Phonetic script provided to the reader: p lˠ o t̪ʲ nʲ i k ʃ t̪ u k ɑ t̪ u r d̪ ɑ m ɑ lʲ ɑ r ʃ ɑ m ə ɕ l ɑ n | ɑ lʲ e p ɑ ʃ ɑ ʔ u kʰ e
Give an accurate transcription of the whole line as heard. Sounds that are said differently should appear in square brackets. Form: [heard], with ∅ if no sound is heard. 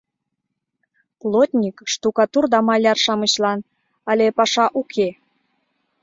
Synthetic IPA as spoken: p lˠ o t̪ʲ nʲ i k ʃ t̪ u k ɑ t̪ u r d̪ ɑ m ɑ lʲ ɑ r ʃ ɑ m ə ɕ l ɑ n | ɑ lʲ e p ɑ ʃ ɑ ʔ u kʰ e